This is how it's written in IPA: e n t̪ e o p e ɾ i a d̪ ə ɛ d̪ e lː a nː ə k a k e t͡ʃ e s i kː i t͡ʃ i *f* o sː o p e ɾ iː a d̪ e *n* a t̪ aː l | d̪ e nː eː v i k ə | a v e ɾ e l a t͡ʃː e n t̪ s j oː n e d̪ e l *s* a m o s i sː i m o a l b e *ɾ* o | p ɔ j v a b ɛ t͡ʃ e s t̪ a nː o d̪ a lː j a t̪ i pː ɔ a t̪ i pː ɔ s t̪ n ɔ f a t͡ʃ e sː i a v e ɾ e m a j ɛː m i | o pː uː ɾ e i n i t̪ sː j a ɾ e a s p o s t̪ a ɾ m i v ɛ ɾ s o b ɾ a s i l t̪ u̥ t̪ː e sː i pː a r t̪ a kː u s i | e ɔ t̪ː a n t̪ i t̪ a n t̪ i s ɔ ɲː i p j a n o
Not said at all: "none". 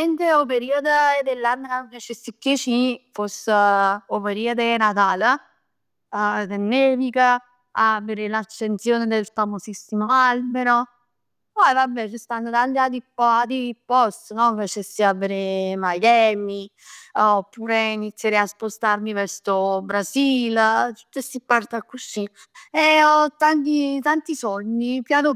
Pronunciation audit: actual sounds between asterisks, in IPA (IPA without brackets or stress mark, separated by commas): f, n, f, ɾ